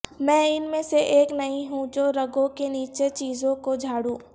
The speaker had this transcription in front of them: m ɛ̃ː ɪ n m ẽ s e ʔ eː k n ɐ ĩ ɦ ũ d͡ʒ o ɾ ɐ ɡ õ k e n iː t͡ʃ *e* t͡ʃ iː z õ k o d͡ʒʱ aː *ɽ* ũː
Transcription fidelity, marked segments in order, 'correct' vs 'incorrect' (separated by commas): correct, correct